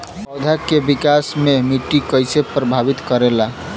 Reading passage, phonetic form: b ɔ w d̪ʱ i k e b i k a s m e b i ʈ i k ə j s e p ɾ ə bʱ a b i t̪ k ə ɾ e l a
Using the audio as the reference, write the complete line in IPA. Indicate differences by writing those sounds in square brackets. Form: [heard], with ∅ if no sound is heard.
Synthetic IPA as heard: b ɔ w d̪ʱ [a] k e b i k a s m e [m] i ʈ i k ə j s e p ɾ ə bʱ a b i t̪ k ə ɾ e l a